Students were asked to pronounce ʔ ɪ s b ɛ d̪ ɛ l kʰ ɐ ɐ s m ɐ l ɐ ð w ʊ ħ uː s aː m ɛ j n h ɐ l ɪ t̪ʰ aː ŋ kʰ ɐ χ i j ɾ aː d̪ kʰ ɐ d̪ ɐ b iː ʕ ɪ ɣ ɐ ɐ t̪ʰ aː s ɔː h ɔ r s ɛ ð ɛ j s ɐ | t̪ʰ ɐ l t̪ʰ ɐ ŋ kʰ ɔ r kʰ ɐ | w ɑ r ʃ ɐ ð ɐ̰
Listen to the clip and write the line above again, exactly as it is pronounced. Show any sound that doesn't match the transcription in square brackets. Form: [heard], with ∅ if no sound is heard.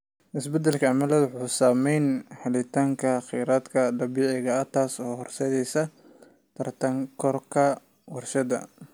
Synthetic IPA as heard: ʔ ɪ s b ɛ d̪ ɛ l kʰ ɐ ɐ [∅] m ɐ l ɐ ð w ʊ ħ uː s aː m ɛ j n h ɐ l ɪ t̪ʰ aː ŋ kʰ ɐ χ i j ɾ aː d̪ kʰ ɐ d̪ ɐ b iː ʕ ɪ ɣ ɐ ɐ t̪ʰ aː s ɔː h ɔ r s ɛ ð ɛ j s ɐ | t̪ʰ ɐ [r] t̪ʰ ɐ ŋ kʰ ɔ r kʰ ɐ | w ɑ r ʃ ɐ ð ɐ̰